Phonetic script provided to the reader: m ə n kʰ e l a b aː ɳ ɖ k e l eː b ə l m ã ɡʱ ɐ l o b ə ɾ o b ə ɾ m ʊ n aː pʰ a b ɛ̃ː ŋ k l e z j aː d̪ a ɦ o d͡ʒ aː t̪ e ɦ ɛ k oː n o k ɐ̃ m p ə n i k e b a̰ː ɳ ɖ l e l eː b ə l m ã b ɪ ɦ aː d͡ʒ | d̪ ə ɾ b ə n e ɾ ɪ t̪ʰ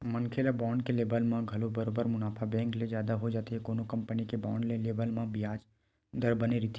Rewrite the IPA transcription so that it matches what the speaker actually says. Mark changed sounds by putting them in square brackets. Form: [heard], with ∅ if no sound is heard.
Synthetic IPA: m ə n kʰ e l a b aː ɳ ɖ k e l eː b ə l m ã ɡʱ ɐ l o b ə ɾ o b ə ɾ m ʊ n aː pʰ a b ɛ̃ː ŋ k l e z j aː d̪ a ɦ o d͡ʒ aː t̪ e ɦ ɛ k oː n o k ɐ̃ m p ə n i k e b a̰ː ɳ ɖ l e l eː b ə l m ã b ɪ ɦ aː d͡ʒ | d̪ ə ɾ b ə n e ɾ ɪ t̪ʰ